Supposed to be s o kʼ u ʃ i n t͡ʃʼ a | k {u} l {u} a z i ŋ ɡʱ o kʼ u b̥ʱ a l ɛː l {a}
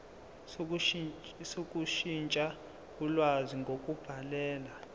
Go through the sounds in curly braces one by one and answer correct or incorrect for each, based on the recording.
correct, incorrect: w, correct

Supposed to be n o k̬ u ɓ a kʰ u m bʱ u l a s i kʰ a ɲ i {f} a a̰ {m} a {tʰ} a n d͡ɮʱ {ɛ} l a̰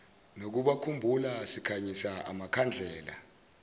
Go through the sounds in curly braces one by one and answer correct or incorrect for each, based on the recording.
incorrect: s, correct, incorrect: kʰ, incorrect: ɛː

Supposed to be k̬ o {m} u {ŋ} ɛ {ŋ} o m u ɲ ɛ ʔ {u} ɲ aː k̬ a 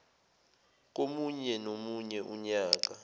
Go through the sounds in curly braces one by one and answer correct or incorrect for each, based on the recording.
correct, incorrect: ɲ, incorrect: n, correct

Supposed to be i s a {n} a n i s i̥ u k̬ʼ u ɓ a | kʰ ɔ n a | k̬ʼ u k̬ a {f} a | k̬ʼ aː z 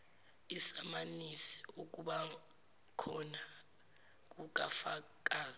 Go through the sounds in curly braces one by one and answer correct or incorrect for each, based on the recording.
incorrect: m, correct

